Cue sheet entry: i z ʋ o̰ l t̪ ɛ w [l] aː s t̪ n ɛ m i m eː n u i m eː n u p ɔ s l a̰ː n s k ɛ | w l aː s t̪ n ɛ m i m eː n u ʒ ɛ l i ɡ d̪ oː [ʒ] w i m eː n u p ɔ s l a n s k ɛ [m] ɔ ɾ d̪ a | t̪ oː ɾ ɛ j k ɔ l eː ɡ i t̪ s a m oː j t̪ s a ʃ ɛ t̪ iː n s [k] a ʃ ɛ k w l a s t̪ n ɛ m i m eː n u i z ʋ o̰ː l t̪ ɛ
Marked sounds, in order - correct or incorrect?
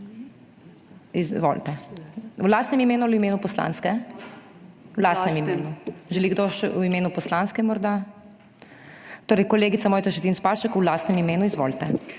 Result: correct, incorrect: ʃ, correct, incorrect: p

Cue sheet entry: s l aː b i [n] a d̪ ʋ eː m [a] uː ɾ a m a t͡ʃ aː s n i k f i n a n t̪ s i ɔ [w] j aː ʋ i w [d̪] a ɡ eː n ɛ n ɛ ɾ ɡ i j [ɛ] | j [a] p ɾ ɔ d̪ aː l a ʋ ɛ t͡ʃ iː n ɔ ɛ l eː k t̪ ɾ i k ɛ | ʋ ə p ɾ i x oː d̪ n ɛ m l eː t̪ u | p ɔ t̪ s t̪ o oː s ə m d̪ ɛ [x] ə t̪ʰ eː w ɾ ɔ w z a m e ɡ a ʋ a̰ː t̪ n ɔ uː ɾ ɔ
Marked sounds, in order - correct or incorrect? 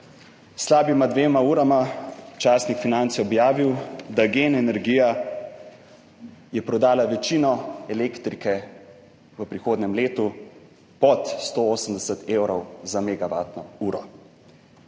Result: incorrect: m, correct, incorrect: b, correct, incorrect: a, incorrect: ɛ, incorrect: s

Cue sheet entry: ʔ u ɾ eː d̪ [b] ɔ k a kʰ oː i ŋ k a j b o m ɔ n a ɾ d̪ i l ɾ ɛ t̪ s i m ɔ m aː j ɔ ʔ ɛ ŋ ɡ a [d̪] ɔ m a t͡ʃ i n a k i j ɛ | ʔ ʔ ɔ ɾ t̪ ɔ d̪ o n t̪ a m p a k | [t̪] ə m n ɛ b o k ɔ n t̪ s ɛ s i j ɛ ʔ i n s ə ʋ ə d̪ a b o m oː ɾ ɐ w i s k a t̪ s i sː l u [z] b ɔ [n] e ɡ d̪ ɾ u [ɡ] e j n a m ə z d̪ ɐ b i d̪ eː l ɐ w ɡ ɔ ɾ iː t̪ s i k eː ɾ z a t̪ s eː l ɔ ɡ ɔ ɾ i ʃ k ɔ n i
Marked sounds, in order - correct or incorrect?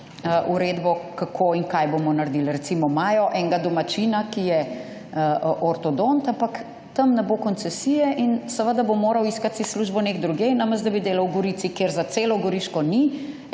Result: correct, correct, correct, incorrect: ʒ, correct, correct

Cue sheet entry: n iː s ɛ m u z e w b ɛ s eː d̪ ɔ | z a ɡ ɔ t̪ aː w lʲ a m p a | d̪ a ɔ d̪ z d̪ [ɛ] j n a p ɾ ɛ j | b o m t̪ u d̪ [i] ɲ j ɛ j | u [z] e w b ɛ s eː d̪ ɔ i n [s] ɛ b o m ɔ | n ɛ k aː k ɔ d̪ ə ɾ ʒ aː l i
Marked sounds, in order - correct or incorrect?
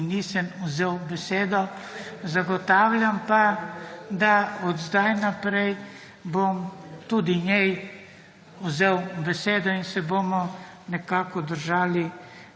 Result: incorrect: a, correct, correct, correct

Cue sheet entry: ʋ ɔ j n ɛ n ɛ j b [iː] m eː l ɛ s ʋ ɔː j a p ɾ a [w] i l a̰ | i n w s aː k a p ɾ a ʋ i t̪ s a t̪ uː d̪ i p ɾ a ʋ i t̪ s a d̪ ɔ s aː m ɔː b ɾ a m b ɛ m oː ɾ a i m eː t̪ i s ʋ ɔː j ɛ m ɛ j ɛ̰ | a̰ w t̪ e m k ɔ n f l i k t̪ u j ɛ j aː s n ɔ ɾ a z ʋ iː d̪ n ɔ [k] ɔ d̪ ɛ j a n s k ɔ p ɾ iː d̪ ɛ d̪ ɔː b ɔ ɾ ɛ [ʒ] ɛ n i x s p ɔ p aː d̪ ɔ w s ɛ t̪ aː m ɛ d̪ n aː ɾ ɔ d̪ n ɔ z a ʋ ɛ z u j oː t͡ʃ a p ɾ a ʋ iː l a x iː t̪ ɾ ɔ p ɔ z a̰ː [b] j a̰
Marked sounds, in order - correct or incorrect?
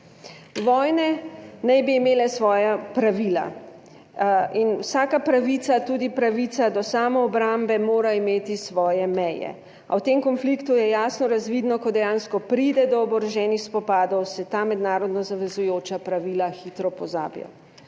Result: correct, incorrect: ʋ, correct, correct, correct

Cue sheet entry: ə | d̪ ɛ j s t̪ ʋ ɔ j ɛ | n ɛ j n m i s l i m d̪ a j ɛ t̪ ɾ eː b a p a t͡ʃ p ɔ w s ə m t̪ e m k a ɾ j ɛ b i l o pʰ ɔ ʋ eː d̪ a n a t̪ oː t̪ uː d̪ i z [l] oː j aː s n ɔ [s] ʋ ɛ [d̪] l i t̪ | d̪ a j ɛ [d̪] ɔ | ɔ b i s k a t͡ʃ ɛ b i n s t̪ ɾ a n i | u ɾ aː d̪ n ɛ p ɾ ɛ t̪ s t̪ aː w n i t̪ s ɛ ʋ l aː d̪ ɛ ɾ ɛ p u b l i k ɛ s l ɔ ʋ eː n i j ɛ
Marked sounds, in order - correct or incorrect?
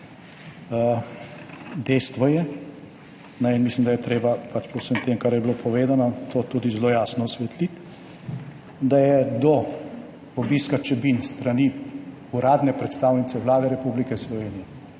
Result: correct, correct, incorrect: t̪, correct

